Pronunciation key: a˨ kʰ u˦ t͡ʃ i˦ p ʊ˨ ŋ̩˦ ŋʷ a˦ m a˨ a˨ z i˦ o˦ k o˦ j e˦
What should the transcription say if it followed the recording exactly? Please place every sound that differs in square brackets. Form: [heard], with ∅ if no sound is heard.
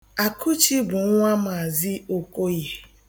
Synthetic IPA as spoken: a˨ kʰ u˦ t͡ʃ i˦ [b] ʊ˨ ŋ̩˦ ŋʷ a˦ m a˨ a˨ z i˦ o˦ k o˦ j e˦